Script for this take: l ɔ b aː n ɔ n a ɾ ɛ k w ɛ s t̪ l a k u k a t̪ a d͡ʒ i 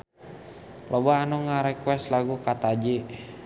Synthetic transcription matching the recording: l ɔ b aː n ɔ ŋ a ɾ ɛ k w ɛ s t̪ l a ɡ u k a t̪ a d͡ʒ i